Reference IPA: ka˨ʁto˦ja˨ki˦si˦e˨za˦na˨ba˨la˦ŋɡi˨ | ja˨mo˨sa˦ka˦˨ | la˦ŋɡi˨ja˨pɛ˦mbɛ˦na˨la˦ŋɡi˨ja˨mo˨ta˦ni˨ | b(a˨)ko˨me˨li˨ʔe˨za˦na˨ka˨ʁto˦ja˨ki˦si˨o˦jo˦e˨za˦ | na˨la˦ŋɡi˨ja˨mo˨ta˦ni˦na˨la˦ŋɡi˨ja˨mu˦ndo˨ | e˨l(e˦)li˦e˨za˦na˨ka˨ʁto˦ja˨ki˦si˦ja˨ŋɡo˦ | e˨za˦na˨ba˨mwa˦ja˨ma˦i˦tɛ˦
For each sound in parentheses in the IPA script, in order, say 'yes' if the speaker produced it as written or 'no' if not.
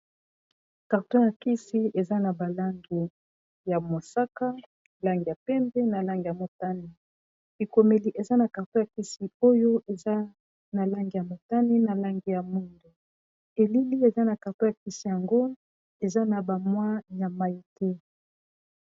no, no

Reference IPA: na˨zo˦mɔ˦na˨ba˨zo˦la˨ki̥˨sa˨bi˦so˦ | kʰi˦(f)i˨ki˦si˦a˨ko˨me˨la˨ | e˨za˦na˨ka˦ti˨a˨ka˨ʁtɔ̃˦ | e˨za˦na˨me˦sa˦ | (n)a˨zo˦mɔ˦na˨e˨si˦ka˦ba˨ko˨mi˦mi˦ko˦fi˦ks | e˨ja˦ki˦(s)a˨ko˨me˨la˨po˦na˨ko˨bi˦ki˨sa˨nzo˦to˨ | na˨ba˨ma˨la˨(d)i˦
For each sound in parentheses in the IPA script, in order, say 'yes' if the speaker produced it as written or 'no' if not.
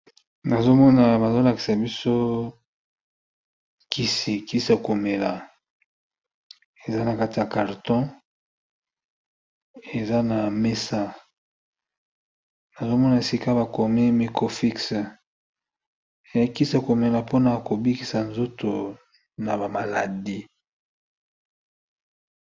no, yes, yes, yes

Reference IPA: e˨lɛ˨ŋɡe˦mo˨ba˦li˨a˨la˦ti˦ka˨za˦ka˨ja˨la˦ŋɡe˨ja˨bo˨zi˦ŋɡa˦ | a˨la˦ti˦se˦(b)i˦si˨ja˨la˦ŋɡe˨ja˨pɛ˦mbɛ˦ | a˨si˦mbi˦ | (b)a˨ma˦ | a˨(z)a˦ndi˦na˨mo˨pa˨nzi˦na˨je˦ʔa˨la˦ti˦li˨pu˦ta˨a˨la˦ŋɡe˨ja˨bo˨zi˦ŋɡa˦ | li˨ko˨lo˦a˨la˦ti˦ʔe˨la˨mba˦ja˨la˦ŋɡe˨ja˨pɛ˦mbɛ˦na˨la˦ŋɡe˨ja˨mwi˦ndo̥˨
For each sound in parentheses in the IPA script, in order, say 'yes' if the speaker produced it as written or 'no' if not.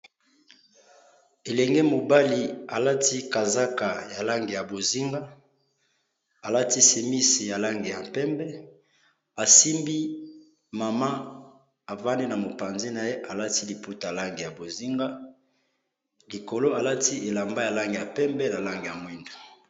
no, no, no

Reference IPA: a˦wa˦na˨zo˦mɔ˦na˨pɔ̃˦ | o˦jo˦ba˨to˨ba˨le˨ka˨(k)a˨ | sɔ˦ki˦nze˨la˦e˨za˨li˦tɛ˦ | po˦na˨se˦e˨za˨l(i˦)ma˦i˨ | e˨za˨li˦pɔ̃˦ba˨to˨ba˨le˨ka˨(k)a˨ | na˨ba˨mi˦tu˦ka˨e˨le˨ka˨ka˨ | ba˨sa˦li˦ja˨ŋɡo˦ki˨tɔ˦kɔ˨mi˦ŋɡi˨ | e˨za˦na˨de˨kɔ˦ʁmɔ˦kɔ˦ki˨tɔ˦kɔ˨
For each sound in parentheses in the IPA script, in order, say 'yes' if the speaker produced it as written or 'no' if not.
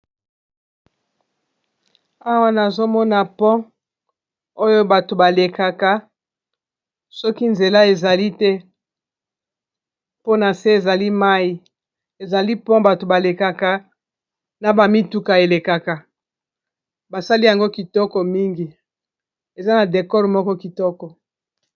yes, yes, yes

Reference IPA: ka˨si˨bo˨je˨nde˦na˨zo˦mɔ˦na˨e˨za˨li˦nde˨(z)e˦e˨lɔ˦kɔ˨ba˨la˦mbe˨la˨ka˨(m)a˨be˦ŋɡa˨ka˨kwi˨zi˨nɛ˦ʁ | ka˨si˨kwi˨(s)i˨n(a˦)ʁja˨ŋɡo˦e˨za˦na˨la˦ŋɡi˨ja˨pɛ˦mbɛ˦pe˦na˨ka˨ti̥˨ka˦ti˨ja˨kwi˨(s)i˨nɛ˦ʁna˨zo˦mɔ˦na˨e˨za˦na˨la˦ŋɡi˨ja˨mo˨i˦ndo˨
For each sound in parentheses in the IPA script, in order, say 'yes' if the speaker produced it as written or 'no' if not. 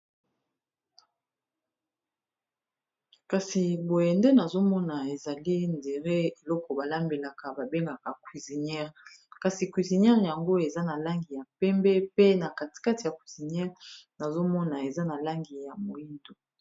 no, no, no, no, no

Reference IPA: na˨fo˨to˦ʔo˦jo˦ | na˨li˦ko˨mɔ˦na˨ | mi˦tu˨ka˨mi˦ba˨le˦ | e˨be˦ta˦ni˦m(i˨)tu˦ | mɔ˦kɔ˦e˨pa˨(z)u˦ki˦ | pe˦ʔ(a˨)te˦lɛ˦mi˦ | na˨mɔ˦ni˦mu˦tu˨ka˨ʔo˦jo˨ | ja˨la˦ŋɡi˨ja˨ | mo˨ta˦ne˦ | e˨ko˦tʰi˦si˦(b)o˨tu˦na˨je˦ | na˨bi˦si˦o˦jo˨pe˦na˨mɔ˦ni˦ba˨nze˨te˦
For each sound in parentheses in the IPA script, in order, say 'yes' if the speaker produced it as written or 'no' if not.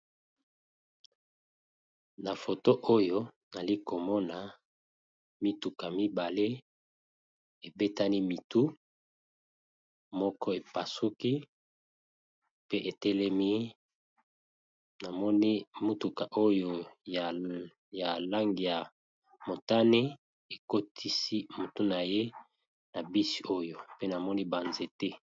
yes, no, no, no

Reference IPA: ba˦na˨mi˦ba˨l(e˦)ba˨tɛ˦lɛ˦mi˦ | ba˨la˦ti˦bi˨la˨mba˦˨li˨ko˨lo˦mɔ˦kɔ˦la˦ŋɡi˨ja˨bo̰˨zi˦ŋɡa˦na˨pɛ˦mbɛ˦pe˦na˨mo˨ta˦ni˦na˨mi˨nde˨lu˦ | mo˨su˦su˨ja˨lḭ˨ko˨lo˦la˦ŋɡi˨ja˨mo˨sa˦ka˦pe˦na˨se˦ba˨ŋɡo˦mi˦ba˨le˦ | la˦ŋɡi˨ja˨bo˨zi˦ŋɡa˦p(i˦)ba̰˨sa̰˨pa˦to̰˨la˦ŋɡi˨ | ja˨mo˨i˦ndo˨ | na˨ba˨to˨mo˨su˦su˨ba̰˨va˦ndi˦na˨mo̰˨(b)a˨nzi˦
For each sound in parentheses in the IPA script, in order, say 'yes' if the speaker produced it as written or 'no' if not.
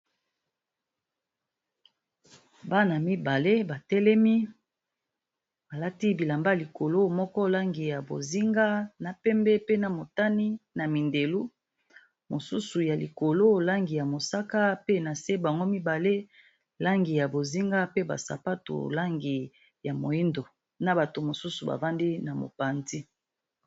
yes, no, no

